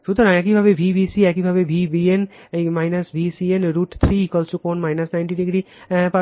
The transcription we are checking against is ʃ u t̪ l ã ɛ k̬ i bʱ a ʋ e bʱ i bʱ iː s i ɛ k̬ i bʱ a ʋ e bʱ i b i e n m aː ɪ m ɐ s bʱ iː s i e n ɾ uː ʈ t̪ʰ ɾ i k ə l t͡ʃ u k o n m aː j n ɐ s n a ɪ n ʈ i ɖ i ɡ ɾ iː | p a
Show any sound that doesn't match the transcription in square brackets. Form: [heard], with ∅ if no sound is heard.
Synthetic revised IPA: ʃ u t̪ [ɾ] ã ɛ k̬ i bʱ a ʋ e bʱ i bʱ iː s i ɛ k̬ i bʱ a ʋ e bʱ i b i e n m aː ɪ [n] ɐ s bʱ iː s i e n ɾ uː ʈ t̪ʰ ɾ i k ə l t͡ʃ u k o n m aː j n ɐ s n a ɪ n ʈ i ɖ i ɡ ɾ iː | p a